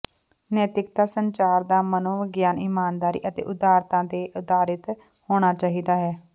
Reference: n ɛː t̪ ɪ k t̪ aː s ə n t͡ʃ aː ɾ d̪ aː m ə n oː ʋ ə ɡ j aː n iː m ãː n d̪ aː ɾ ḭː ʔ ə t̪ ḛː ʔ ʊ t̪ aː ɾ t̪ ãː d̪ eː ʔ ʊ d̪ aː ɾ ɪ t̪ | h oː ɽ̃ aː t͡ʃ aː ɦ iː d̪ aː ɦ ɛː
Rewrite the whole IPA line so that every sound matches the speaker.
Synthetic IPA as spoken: n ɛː t̪ ɪ k t̪ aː s ə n t͡ʃ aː ɾ d̪ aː m ə n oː ʋ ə ɡ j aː n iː m aː n d̪ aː ɾ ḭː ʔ ə t̪ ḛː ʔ ʊ d̪ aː ɾ t̪ ãː d̪ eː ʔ ʊ d̪ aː ɾ ɪ t̪ | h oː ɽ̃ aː t͡ʃ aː ɦ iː d̪ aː ɦ ɛː

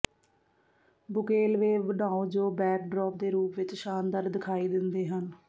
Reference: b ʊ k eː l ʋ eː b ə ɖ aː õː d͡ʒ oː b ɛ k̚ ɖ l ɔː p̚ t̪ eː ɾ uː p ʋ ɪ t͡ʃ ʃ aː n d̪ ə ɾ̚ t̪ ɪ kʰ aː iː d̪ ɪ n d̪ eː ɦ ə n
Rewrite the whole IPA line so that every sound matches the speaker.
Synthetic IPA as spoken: b ʊ k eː l ʋ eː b ə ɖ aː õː d͡ʒ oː b ɛː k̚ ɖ ɾ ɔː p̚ d̪ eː ɾ uː p ʋ ɪ t͡ʃ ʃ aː n d̪ ə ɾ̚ d̪ ɪ kʰ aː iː d̪ ɪ n d̪ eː ɦ ə n

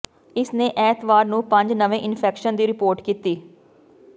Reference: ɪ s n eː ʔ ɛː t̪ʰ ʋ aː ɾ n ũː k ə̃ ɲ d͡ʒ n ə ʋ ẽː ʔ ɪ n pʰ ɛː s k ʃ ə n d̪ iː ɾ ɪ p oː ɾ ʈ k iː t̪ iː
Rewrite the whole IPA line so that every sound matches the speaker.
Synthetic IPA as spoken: ɪ s n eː ʔ ɛː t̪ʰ ʋ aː ɾ n ũː p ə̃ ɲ d͡ʒ n ə ʋ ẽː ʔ ɪ n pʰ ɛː k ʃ ə n d̪ iː ɾ ɪ p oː ɾ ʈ k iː t̪ iː

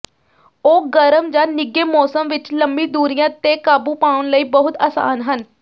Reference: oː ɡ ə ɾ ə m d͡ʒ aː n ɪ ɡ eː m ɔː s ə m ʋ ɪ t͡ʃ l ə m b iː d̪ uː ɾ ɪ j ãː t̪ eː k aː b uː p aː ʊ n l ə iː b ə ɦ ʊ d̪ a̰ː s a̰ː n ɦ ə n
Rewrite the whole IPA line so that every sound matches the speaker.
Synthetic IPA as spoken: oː ɡ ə ɾ ə m d͡ʒ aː n ɪ ɡ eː m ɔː s ə m ʋ ɪ t͡ʃ l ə m b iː d̪ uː ɾ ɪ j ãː t̪ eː k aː b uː p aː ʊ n l ə iː b ə ɦ ʊ t̪ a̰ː s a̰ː n ɦ ə n

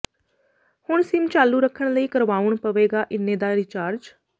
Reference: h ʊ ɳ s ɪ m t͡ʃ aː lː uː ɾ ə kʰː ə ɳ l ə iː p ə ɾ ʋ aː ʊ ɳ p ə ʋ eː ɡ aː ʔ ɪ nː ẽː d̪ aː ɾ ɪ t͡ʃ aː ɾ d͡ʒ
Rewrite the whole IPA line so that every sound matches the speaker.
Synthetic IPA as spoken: h ʊ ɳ s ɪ m t͡ʃ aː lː uː ɾ ə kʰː ə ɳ l ə iː k ə ɾ ʋ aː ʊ ɳ p ə ʋ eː ɡ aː ʔ ɪ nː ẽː d̪ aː ɾ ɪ t͡ʃ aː ɾ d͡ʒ

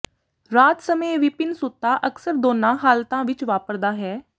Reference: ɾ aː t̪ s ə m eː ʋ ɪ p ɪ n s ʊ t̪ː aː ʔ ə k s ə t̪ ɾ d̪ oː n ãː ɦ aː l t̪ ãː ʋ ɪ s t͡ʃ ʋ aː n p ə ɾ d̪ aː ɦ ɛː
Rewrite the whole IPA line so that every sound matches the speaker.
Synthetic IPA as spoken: ɾ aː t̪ s ə m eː ʋ ɪ p ɪ n s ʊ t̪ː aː ʔ ə k s ə ɾ d̪ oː n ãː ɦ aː l t̪ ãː ʋ ɪ t͡ʃ ʋ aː p ə ɾ d̪ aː ɦ ɛː

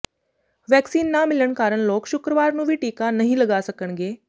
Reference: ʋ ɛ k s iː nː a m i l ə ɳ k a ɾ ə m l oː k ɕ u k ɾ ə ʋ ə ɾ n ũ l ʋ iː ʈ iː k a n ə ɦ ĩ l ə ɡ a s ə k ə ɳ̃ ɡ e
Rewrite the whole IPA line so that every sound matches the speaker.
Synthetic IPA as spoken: ʋ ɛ k s iː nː a m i l ə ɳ k a ɾ ə ɳ l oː k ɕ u k ɾ ə ʋ a ɾ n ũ ʋ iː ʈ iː k a n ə ɦ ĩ l ə ɡ a s ə k ə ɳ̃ ɡ e

